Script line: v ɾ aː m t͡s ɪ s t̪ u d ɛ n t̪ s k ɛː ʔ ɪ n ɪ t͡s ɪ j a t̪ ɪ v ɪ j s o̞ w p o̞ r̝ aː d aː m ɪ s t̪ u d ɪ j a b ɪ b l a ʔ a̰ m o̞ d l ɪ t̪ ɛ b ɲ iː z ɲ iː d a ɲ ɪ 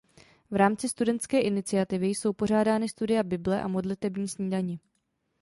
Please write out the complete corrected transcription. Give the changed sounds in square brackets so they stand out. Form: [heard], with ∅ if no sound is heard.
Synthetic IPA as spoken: v ɾ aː m t͡s ɪ s t̪ u d ɛ n t̪ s k ɛː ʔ ɪ n ɪ t͡s ɪ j a t̪ ɪ v ɪ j s o̞ w p o̞ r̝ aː d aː [n] ɪ s t̪ u d ɪ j a b ɪ b l [ɛ] ʔ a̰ m o̞ d l ɪ t̪ ɛ b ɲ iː [s] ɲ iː d a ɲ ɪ